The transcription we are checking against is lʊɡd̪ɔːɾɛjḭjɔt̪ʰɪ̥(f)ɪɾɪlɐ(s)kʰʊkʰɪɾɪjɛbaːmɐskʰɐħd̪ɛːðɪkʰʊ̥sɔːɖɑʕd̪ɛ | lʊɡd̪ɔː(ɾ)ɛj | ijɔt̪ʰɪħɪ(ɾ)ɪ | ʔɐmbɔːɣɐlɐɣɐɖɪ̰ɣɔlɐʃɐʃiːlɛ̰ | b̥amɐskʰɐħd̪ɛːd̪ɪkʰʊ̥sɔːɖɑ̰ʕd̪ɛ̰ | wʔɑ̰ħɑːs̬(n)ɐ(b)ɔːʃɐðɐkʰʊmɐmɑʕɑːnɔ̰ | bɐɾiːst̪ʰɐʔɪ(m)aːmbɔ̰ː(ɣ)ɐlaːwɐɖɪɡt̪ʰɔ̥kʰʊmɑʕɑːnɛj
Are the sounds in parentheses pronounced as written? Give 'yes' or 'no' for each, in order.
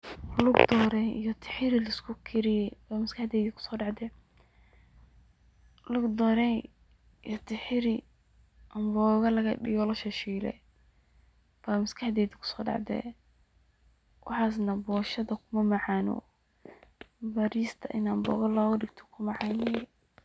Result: no, yes, yes, yes, yes, yes, no, yes

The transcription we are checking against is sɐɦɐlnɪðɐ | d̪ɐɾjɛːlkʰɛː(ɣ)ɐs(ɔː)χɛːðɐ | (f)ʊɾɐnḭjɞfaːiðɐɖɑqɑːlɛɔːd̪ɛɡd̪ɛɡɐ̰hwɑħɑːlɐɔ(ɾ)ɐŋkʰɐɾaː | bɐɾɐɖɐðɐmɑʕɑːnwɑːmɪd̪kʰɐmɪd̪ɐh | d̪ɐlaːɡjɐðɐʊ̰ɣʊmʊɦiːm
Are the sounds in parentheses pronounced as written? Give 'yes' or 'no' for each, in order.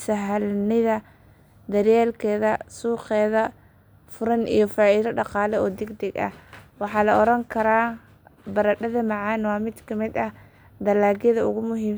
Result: no, no, yes, yes

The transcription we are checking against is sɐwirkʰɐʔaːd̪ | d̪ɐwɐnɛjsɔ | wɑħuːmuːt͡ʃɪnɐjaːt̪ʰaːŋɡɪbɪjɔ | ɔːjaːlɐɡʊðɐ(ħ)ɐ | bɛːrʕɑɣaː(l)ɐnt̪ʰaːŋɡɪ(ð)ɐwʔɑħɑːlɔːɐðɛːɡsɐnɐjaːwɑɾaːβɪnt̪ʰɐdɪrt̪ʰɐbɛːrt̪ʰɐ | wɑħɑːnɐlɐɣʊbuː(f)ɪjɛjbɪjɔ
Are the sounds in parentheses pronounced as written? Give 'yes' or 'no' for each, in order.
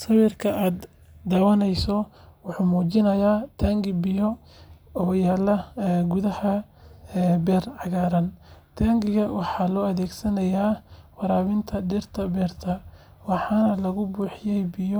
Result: no, no, no, no

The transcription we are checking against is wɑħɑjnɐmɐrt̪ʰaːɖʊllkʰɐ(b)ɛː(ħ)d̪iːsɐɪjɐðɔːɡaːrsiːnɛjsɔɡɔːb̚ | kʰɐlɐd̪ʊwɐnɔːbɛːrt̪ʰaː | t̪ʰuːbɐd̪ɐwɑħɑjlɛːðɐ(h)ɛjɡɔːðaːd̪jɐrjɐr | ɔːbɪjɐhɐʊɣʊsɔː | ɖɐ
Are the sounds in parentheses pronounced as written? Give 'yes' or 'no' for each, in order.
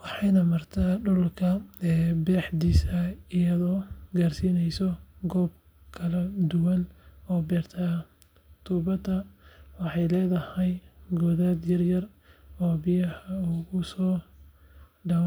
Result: yes, yes, yes

